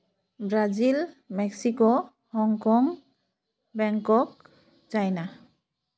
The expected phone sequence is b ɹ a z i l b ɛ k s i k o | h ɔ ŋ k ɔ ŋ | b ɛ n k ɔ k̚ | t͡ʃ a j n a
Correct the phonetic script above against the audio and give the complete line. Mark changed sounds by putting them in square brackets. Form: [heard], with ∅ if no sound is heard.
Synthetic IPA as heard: b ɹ a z i l [m] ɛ k s i k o | h ɔ ŋ k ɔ ŋ | b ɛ [ŋ] k ɔ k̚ | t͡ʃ a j n a